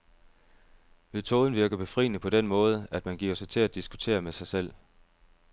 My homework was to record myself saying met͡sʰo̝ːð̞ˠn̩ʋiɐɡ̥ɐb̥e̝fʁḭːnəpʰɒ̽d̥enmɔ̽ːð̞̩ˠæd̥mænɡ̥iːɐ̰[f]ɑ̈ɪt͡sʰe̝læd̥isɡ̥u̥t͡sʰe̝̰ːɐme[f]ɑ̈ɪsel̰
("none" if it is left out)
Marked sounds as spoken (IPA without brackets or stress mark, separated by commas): s, s